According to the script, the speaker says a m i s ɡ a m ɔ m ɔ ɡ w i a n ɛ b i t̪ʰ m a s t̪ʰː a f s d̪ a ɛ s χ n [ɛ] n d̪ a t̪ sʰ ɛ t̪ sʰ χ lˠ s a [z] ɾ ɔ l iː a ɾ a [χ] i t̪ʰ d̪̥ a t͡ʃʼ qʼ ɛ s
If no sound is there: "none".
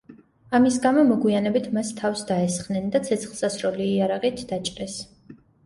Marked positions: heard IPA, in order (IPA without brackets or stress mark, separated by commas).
ɛ, s, ʁ